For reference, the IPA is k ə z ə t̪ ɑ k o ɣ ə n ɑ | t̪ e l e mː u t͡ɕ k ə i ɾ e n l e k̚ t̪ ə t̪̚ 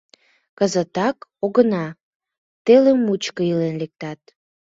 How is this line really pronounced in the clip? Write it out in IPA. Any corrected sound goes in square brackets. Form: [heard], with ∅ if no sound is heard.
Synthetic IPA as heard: k ə z ə t̪ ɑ k o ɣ ə n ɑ | t̪ e l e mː u t͡ɕ k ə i [l] e n l e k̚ t̪ [ɑ] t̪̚

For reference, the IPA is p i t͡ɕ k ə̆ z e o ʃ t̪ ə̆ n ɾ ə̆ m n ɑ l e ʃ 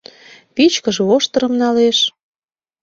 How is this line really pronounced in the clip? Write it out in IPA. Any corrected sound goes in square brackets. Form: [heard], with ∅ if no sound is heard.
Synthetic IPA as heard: p i t͡ɕ k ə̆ [ʒ] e o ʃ t̪ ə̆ [∅] ɾ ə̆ m n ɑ l e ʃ

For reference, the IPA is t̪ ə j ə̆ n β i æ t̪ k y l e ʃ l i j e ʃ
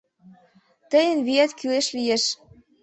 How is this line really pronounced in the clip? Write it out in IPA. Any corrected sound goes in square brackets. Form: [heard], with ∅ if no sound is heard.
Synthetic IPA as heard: t̪ ə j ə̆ n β i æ t̪ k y l e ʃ l i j e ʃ

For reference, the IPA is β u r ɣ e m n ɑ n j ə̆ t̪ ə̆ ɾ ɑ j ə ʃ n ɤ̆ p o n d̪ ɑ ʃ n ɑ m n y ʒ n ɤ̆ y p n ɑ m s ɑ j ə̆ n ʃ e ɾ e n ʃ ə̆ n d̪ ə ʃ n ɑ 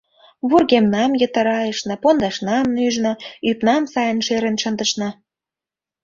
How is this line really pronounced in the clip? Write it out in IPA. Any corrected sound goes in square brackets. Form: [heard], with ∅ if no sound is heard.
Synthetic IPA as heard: β u r ɣ e m n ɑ [m] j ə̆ t̪ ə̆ ɾ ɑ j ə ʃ n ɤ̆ p o n d̪ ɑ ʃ n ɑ m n y ʒ n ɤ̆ y p n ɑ m s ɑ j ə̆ n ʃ e ɾ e n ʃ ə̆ n d̪ ə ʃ n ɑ

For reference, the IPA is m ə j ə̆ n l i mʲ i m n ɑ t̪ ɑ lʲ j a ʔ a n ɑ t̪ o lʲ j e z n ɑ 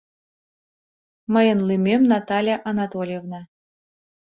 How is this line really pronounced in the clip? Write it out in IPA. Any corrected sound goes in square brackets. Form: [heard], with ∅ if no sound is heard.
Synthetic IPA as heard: m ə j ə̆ n l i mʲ [e] m n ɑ t̪ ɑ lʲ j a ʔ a n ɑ t̪ o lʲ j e [v] n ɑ

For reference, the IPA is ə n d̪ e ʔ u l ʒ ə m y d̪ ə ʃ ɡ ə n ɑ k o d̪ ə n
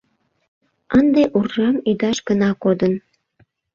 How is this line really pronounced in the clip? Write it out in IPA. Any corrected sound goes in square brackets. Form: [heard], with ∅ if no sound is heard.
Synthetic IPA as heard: ə n d̪ e ʔ u [r] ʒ [ɑ] m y d̪ [ɑ] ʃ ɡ ə n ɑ k o d̪ ə n

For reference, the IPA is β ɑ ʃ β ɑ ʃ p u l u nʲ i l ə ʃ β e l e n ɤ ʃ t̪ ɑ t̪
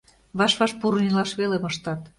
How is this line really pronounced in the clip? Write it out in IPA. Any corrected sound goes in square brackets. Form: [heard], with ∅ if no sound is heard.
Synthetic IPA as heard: β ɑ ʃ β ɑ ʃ p u [ɾ] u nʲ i l [ɑ] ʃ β e l e [m] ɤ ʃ t̪ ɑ t̪

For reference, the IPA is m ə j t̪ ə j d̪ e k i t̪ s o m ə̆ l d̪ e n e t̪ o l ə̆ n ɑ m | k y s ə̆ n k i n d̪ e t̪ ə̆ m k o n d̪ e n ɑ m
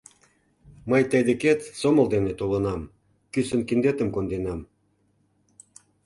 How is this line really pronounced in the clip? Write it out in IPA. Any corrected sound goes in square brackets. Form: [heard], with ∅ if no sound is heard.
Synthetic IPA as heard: m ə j t̪ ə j d̪ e k [e] t̪ s o m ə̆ l d̪ e n e t̪ o l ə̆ n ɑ m | k y s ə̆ n k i n d̪ e t̪ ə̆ m k o n d̪ e n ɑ m

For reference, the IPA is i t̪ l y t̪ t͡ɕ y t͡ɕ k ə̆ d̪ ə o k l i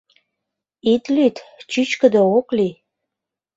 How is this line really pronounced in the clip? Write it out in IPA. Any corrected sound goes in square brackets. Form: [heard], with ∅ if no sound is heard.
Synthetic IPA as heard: i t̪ l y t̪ t͡ɕ y t͡ɕ k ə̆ d̪ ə o k l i

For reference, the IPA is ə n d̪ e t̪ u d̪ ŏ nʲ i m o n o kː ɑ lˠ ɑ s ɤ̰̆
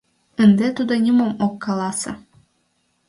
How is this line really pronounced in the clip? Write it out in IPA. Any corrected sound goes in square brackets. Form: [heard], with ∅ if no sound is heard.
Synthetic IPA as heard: ə n d̪ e t̪ u d̪ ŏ nʲ i m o [m] o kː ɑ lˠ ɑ s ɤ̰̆

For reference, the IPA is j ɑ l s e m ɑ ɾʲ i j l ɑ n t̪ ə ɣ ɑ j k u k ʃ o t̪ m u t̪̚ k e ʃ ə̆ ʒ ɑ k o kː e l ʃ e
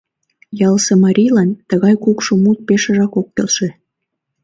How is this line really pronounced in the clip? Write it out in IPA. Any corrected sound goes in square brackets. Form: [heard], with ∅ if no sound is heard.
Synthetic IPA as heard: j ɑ l s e m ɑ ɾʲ i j l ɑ n t̪ ə ɣ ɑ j k u k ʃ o [∅] m u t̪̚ [p] e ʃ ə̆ ʒ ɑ k o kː e l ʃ e

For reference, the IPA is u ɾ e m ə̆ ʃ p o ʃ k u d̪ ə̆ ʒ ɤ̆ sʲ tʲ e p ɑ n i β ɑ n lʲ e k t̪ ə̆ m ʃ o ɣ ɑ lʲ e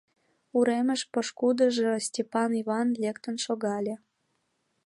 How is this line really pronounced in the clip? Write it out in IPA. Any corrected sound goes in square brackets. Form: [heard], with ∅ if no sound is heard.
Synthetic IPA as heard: u ɾ e m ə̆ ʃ p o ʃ k u d̪ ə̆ ʒ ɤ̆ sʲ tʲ e p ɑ n i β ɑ n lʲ e k t̪ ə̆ [n] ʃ o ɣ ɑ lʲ e

